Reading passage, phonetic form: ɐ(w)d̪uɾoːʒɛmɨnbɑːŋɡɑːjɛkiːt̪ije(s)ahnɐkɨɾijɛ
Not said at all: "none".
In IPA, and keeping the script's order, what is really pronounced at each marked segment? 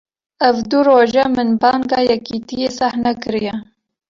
v, s

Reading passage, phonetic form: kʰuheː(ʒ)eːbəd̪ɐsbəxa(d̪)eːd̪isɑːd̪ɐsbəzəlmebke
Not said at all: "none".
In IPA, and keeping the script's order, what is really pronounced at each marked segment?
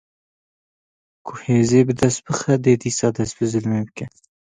z, d̪

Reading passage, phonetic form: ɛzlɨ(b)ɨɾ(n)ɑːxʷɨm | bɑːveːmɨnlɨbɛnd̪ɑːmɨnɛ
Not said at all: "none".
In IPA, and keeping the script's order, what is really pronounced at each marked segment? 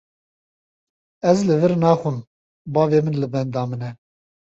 v, n

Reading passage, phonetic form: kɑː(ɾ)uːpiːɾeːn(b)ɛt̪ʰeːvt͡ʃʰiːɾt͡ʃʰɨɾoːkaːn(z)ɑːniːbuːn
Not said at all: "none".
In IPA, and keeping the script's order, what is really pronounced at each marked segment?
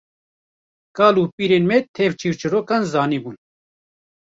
l, m, z

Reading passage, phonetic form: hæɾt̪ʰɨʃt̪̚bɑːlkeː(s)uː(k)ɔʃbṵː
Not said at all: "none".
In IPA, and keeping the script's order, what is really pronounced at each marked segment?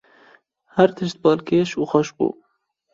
ʃ, x

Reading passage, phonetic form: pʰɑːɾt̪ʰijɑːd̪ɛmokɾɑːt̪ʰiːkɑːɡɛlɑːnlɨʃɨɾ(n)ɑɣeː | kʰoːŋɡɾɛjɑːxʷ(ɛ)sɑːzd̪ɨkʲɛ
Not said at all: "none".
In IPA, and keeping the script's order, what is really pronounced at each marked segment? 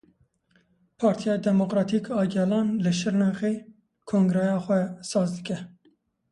n, ɛ

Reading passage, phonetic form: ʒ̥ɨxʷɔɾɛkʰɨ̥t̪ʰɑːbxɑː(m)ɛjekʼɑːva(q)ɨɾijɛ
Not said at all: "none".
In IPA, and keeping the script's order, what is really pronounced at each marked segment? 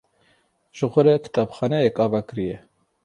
n, k

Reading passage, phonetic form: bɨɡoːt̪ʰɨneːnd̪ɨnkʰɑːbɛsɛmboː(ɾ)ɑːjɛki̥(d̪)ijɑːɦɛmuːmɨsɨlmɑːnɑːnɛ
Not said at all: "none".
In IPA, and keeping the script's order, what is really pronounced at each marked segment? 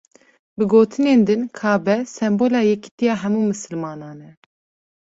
l, t̪

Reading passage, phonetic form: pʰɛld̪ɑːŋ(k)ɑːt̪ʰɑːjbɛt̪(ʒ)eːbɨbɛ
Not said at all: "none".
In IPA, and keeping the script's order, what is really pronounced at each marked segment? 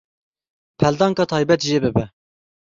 k, ʒ

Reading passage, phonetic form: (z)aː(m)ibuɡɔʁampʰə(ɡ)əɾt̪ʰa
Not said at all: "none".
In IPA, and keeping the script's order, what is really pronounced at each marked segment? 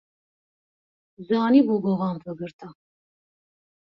z, n, ɡ

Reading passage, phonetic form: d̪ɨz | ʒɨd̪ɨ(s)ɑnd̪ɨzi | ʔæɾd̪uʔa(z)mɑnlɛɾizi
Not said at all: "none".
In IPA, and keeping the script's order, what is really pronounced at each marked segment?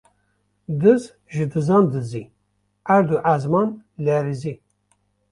z, z

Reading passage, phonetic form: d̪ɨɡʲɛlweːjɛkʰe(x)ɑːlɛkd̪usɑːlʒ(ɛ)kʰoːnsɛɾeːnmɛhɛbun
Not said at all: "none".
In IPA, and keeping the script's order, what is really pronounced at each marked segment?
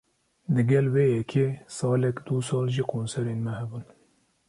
s, i

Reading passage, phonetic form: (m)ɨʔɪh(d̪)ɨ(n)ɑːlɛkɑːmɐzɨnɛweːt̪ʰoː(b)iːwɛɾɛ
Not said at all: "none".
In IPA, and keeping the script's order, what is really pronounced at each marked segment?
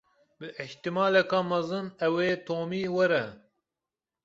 b, t̪, m, m

